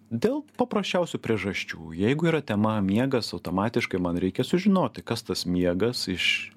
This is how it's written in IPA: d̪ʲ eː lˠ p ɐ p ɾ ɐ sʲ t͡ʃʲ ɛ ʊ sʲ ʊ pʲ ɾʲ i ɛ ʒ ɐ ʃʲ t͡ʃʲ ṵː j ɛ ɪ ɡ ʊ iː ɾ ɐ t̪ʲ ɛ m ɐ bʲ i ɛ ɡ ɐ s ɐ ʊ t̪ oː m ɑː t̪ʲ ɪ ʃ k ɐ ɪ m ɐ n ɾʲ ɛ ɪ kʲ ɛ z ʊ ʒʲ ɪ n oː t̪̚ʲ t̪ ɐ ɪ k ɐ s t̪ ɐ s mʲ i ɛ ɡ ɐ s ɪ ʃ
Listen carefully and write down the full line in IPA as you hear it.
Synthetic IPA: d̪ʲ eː lˠ p ɐ p ɾ ɐ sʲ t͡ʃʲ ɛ ʊ sʲ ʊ pʲ ɾʲ i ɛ ʒ ɐ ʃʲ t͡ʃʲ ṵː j ɛ ɪ ɡ ʊ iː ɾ ɐ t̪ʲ ɛ m ɐ mʲ i ɛ ɡ ɐ s ɐ ʊ t̪ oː m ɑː t̪ʲ ɪ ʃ k ɐ ɪ m ɐ n ɾʲ ɛ ɪ kʲ ɛ s ʊ ʒʲ ɪ n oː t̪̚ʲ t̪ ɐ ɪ k ɐ s t̪ ɐ s mʲ i ɛ ɡ ɐ s ɪ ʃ